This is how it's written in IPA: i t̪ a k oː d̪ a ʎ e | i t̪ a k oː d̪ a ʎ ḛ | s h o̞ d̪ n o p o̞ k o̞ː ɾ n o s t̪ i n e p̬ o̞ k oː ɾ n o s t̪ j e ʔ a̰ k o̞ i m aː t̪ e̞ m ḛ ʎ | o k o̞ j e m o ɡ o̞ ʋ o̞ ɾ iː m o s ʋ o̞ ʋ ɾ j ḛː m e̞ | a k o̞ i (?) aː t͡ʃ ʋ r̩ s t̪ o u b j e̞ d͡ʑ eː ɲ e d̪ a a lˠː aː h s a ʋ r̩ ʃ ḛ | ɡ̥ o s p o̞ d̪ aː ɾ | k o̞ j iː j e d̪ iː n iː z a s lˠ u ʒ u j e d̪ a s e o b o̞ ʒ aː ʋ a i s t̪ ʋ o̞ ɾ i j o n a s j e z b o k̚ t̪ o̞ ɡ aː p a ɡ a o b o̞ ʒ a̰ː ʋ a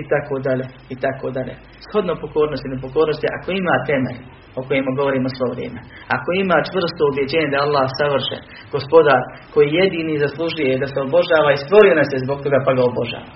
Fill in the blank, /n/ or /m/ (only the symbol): m